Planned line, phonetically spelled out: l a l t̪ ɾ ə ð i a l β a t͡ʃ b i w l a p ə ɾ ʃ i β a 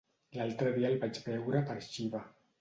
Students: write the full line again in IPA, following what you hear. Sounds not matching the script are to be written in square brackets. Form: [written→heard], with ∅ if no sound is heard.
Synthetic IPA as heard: l a l t̪ ɾ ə ð i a l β a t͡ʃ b [i→ɛ] w [l→ɾ] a p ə ɾ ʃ i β a